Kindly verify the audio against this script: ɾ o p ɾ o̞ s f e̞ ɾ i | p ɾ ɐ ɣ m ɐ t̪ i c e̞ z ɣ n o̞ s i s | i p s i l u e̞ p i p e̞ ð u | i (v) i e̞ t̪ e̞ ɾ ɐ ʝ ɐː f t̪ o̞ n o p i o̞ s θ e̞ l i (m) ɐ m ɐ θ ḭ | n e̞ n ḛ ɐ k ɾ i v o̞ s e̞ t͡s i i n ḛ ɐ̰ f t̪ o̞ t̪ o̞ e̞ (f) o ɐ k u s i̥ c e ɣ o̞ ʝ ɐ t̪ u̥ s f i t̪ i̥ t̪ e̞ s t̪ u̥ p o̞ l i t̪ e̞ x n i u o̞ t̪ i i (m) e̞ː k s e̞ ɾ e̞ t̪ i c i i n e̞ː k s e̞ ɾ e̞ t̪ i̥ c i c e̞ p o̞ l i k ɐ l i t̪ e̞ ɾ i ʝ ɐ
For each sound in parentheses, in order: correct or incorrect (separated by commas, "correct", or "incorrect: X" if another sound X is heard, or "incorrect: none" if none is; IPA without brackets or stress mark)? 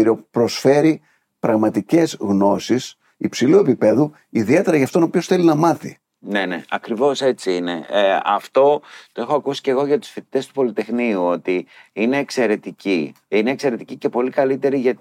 incorrect: ð, incorrect: n, incorrect: x, incorrect: n